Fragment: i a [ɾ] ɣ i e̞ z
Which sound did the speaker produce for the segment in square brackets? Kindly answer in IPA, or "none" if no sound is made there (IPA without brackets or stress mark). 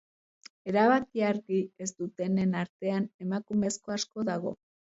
ɾ